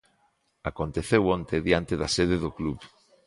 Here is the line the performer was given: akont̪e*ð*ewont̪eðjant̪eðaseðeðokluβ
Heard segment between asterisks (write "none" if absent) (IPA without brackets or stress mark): θ